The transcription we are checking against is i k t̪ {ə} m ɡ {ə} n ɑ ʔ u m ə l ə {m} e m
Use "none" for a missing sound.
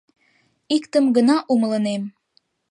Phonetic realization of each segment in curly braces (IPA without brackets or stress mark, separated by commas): ə, ə, n